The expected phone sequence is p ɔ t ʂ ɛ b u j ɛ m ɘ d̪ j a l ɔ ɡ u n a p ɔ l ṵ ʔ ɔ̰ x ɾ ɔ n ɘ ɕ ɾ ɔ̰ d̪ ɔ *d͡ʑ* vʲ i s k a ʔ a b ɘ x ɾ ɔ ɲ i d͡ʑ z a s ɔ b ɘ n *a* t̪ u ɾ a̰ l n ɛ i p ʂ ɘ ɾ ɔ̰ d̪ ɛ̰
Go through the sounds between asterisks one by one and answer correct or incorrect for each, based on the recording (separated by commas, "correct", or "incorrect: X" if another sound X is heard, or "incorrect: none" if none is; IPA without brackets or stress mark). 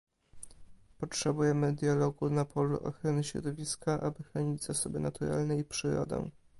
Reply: incorrect: none, correct